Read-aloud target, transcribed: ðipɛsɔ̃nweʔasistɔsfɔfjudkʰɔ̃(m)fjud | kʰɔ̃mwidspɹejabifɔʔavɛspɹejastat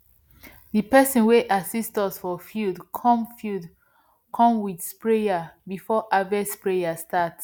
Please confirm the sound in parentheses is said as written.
yes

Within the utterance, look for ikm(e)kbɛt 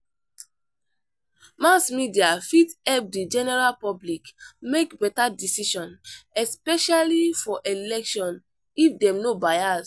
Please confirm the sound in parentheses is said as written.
yes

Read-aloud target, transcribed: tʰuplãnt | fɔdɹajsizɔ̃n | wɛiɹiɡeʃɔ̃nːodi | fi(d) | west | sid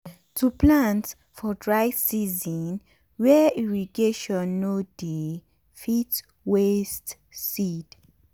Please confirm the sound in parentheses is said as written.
no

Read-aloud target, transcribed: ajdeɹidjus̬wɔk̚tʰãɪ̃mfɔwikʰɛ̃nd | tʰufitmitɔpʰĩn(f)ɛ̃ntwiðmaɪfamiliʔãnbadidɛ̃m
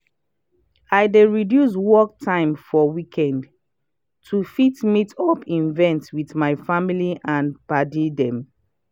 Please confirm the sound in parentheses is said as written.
no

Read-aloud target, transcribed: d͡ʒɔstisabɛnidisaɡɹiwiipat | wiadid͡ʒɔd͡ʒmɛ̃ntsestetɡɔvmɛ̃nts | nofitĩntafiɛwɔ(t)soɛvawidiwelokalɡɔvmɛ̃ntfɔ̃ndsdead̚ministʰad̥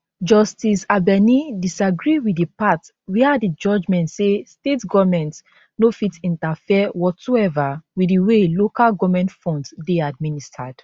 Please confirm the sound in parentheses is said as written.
yes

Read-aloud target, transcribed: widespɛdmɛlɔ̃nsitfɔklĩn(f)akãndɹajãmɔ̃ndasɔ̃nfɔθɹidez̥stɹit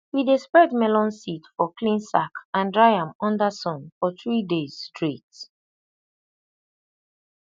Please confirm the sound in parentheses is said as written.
no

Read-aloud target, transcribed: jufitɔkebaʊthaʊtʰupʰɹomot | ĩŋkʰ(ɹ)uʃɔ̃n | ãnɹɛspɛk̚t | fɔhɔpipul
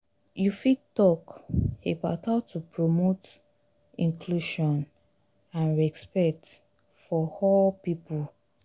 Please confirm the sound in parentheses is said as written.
no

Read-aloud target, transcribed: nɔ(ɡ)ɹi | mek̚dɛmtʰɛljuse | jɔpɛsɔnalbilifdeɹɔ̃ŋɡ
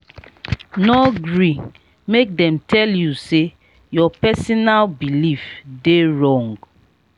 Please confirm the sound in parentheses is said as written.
yes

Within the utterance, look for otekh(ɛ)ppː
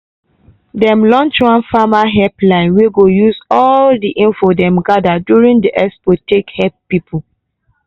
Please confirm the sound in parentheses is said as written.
yes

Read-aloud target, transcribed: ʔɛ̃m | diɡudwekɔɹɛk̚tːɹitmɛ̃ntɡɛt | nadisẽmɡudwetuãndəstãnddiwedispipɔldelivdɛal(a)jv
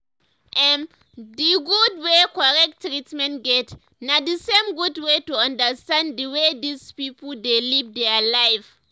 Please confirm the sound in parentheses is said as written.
yes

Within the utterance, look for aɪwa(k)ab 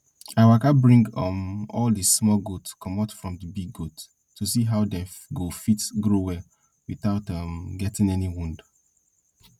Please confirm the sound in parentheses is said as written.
yes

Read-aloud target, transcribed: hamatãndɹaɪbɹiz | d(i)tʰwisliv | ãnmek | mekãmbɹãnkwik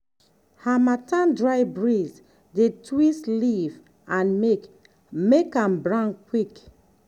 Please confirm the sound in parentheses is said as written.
no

